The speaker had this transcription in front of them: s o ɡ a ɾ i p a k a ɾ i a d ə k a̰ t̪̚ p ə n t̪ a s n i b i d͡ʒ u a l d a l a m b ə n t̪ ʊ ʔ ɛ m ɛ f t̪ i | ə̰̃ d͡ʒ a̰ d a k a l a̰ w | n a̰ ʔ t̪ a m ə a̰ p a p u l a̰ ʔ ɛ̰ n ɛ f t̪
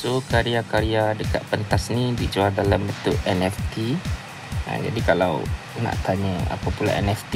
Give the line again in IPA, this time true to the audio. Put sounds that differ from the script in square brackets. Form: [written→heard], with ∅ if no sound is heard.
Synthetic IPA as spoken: s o [ɡ→k] a ɾ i [p→∅] a k a ɾ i a d ə k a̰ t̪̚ p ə n t̪ a s n i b i d͡ʒ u a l d a l a m b ə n t̪ ʊ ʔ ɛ [m→n] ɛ f t̪ i | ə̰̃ d͡ʒ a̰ d [a→i] k a l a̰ w | n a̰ ʔ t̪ a [m→ɲ] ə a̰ p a p u l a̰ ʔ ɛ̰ n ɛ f t̪